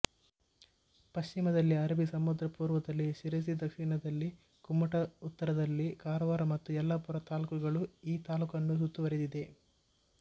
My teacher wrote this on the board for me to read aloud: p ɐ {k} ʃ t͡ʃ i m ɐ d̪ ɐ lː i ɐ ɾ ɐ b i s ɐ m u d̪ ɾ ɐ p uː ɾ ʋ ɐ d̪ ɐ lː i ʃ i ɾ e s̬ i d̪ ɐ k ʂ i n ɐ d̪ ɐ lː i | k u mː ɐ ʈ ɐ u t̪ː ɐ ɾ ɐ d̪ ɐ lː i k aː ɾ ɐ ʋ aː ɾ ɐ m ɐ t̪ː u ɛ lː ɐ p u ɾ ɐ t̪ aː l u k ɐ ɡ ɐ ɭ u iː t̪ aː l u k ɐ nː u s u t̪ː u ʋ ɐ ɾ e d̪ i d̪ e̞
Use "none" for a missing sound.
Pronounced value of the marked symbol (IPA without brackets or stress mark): none